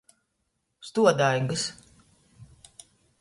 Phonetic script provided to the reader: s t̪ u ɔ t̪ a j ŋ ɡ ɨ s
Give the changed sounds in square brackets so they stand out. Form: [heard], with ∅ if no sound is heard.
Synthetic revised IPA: s t̪ u ɔ [d̪] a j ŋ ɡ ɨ s